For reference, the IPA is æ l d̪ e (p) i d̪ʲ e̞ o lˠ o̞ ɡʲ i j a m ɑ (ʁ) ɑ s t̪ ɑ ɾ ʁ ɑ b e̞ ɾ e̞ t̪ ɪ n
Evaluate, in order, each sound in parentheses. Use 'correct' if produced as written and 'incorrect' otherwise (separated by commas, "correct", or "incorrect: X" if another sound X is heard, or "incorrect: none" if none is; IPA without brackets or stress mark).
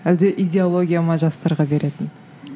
incorrect: ʔ, incorrect: ʒ